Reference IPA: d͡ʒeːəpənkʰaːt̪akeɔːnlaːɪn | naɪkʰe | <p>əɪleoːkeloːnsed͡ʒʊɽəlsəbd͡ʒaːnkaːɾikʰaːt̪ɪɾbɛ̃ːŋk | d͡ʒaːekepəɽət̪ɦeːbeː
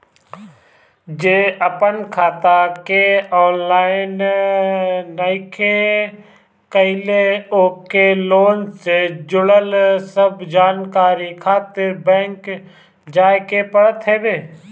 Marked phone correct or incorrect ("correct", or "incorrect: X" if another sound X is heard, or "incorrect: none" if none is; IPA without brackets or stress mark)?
incorrect: k